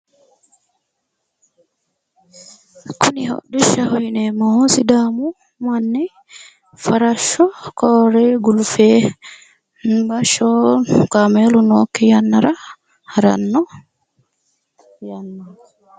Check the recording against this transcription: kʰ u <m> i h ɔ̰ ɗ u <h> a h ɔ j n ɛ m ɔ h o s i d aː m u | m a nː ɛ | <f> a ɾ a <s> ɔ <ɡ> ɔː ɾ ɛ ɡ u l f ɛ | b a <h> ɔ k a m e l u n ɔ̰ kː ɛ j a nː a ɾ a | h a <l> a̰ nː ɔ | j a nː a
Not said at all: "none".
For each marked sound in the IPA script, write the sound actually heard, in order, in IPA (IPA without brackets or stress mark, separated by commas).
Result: n, ʃ, f, ʃ, k, ʃ, ɾ